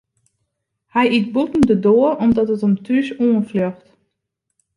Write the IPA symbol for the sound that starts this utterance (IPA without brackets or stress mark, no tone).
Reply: h